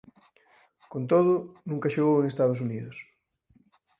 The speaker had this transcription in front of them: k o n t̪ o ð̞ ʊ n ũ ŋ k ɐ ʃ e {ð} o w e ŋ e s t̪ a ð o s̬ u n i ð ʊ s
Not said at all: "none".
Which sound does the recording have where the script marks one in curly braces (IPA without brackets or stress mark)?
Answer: ɣ